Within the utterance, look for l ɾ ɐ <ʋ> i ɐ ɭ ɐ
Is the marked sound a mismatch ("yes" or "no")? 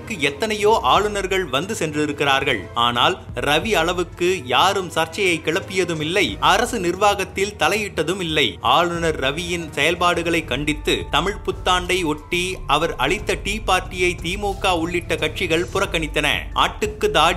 no